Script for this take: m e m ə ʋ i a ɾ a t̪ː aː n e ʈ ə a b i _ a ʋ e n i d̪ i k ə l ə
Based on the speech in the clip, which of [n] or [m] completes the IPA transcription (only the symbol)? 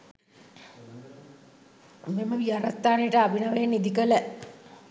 n